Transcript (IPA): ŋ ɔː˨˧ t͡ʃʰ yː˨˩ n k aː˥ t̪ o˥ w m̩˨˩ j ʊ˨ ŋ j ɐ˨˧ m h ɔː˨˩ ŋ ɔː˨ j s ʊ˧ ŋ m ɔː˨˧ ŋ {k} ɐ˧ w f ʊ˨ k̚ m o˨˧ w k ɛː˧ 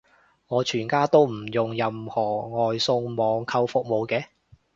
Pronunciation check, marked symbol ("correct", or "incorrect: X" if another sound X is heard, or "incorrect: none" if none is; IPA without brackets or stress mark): incorrect: kʰ